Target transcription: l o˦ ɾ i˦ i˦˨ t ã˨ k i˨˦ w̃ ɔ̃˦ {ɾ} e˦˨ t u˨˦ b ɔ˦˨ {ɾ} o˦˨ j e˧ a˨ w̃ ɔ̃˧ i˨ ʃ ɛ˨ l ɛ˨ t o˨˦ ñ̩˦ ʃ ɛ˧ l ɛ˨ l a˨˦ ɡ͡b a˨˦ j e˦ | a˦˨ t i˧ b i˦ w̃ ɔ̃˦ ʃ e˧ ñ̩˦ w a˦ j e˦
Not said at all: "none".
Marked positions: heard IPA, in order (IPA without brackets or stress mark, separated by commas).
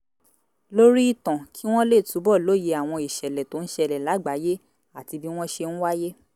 l, l